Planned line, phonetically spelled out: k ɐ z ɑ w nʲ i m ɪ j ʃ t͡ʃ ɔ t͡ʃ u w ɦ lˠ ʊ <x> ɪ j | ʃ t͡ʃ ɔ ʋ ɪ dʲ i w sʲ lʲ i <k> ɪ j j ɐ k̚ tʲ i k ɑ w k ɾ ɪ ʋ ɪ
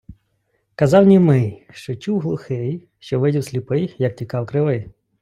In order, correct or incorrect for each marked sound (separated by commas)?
correct, incorrect